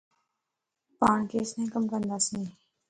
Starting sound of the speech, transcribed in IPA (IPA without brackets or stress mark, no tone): p